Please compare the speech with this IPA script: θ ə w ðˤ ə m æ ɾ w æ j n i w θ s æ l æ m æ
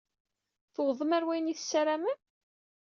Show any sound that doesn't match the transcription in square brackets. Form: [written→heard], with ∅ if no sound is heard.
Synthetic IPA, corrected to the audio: θ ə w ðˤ ə m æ ɾ w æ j n i [w→∅] θ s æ [l→ɾ] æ m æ